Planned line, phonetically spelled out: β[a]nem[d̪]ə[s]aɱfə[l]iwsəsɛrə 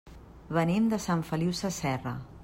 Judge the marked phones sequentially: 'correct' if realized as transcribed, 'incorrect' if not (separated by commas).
incorrect, correct, correct, correct